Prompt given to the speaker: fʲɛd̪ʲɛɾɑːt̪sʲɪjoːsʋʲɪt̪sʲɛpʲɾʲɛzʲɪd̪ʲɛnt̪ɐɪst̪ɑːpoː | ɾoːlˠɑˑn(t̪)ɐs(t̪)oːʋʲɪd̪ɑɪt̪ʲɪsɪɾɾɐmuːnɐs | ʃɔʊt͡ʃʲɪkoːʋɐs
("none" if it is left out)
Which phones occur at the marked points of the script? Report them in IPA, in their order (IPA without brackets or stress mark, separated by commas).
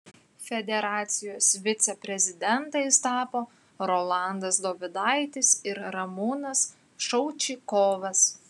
d̪, d̪